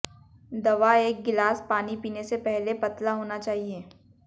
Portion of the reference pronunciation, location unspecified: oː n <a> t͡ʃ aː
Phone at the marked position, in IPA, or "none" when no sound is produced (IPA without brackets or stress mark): a